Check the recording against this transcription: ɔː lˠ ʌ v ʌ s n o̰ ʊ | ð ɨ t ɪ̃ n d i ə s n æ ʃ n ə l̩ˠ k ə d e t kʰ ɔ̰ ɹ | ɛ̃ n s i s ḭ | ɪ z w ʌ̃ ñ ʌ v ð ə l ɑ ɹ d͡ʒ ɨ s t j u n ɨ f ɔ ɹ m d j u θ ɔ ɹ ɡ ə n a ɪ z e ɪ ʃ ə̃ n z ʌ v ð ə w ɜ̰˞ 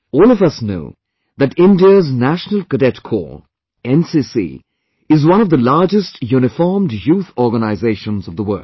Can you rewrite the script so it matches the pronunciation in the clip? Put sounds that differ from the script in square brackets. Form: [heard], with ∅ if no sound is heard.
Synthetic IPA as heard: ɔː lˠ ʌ v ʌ s n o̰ ʊ | ð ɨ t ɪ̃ n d i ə [z] n æ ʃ n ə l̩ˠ k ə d [ɛ] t kʰ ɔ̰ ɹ | ɛ̃ n s i s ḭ | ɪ z w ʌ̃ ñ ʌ v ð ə l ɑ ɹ d͡ʒ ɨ s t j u n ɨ f ɔ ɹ m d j u θ ɔ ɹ ɡ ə n a ɪ z e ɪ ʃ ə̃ n z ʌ v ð ə w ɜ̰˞

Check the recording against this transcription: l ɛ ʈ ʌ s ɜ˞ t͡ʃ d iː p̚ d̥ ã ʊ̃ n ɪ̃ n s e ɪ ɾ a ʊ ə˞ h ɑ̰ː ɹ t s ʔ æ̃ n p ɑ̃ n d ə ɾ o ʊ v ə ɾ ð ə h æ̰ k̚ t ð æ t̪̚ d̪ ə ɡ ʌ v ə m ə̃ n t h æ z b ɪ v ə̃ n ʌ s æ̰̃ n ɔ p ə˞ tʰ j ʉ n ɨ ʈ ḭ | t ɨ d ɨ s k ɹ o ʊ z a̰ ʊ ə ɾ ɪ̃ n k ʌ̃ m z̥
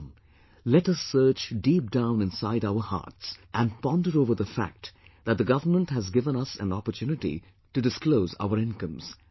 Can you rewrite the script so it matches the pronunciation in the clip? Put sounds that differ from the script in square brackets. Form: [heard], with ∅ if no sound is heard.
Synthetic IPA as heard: l ɛ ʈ ʌ s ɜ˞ t͡ʃ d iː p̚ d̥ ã ʊ̃ n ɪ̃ n s [a] ɪ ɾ a ʊ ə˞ h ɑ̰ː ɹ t s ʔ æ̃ n p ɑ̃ n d ə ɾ o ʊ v ə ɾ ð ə [f] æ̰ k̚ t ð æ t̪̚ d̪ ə ɡ ʌ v ə m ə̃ n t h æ z [ɡ] ɪ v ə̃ n ʌ s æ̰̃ n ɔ p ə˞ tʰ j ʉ n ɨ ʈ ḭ | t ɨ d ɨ s k [l] o ʊ z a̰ ʊ ə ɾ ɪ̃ n k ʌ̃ m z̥

